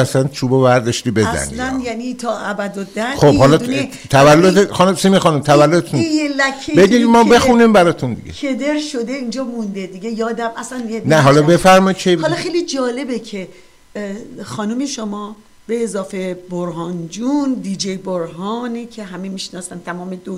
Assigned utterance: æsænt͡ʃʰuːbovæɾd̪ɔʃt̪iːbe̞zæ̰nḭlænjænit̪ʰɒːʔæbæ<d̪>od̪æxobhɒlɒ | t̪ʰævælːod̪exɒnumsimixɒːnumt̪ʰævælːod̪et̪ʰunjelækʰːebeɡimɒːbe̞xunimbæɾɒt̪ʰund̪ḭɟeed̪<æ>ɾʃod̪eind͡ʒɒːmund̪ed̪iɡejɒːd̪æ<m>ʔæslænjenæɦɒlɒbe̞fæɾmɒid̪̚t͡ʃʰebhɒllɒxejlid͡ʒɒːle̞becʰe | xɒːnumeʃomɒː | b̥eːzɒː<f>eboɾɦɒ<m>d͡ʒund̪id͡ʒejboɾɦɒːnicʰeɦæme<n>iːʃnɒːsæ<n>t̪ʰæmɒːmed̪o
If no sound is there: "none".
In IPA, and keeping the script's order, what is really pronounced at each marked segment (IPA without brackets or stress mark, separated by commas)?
d̪, e, m, f, n, m, n